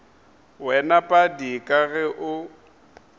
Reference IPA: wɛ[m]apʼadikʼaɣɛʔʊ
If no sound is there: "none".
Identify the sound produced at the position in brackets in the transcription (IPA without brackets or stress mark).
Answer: n